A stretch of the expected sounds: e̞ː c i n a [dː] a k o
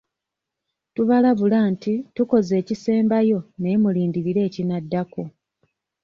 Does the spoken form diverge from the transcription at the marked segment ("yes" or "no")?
no